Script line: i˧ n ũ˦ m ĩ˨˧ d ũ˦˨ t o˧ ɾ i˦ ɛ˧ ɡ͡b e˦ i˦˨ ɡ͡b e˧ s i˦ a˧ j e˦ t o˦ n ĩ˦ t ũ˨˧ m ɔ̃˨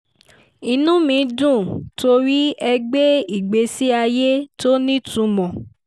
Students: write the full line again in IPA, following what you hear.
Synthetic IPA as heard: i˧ n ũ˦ m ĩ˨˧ d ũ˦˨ t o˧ ɾ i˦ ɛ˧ ɡ͡b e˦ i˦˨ ɡ͡b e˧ s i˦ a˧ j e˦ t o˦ n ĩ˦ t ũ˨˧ m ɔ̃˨